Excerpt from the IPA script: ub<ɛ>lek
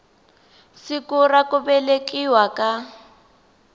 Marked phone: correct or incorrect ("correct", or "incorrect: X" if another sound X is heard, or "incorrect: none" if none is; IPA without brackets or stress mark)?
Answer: correct